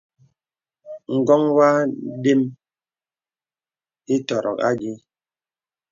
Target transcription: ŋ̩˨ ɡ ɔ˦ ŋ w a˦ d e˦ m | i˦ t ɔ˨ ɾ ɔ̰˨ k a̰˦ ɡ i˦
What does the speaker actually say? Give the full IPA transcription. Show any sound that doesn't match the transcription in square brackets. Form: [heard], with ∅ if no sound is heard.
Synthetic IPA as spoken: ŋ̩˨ ɡ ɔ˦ ŋ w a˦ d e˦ m | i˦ t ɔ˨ ɾ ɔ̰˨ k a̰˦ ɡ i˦